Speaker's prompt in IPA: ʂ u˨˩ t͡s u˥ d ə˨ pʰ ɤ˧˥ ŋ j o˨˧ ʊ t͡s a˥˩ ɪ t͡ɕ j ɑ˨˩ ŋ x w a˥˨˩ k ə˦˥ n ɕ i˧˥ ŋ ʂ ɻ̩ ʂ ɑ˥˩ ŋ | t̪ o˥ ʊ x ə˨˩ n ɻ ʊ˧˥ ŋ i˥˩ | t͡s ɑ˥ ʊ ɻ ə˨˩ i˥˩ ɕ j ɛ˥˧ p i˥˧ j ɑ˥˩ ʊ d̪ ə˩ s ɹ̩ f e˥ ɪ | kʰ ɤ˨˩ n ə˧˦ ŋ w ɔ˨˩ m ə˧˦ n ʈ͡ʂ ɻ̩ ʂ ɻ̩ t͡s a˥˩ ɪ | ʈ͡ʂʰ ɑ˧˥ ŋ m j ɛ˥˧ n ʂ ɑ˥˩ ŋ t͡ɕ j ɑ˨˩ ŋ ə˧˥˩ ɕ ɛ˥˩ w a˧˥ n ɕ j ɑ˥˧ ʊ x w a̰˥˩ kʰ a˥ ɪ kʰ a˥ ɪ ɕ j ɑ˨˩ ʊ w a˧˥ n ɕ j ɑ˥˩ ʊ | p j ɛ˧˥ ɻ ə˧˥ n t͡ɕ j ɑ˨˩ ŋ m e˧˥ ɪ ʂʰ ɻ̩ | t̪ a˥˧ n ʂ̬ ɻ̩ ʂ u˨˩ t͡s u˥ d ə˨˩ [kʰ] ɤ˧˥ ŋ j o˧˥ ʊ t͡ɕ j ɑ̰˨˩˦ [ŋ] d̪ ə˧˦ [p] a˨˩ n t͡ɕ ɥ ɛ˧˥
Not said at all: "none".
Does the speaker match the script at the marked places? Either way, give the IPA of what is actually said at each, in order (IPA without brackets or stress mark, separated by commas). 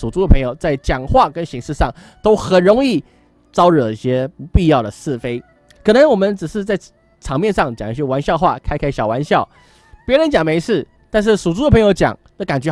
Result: pʰ, ŋ, k